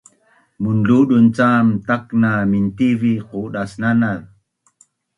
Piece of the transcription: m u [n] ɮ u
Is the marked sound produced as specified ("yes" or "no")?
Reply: yes